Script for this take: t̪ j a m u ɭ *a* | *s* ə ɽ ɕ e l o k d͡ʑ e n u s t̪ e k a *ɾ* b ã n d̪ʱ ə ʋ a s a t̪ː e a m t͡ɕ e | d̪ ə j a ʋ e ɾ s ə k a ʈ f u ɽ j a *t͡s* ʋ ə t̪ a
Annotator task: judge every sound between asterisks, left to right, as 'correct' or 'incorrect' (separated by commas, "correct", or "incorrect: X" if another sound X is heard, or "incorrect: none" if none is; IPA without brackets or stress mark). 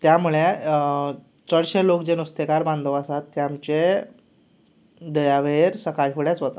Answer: incorrect: e, incorrect: t͡s, correct, correct